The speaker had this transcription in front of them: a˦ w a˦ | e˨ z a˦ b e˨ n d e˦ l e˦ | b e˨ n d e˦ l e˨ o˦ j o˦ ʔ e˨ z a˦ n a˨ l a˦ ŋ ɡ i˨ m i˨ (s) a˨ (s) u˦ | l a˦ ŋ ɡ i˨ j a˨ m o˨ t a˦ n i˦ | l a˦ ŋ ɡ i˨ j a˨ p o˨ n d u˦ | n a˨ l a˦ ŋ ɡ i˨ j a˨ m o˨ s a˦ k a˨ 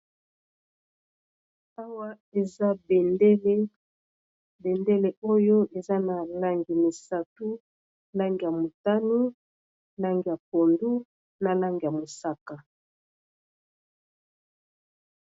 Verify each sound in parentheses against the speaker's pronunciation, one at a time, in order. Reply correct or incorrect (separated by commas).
correct, incorrect